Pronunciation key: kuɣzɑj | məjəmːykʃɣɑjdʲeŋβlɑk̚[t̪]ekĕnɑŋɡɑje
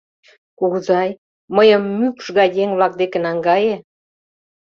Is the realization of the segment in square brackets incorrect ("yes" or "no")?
yes